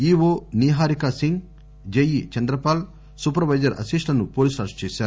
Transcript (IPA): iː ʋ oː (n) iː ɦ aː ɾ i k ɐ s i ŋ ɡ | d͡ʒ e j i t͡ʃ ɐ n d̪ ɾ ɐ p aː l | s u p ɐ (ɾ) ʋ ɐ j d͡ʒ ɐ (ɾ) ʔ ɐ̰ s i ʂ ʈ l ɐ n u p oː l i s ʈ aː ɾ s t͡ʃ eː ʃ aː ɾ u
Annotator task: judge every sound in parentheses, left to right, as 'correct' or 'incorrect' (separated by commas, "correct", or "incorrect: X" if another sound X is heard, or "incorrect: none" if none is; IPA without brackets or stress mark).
correct, correct, correct